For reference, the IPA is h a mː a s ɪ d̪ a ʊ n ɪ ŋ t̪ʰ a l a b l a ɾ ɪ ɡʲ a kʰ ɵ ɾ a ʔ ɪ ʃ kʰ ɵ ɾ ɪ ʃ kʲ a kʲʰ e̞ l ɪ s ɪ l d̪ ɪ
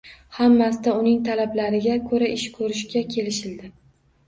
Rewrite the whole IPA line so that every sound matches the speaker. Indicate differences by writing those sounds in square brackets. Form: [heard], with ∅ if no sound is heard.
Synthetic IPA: h a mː a s ɪ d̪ a ʊ n ɪ ŋ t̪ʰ a l a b l a ɾ ɪ ɡʲ a kʰ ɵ ɾ a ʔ ɪ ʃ kʰ ɵ ɾ ɪ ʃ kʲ a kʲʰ e̞ l ɪ [ʃ] ɪ l d̪ ɪ